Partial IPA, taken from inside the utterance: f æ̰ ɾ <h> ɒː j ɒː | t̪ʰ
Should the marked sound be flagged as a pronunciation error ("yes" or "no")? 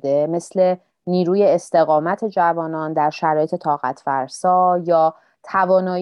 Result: yes